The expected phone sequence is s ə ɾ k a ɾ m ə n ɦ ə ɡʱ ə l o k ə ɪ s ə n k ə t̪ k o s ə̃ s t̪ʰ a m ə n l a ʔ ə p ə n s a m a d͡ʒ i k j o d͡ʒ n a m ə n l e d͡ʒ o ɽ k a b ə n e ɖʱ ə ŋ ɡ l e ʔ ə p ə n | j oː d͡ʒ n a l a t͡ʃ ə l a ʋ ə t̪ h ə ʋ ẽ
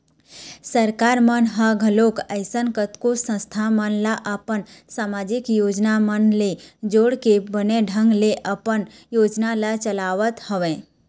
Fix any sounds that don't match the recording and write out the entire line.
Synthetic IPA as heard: s ə ɾ k a ɾ m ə n ɦ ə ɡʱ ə l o k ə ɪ s ə n k ə t̪ k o s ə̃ s t̪ʰ a m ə n l a ʔ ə p ə n s a m a d͡ʒ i k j o d͡ʒ n a m ə n l e d͡ʒ o ɽ k e b ə n e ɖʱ ə ŋ ɡ l e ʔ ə p ə n | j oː d͡ʒ n a l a t͡ʃ ə l a ʋ ə t̪ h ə ʋ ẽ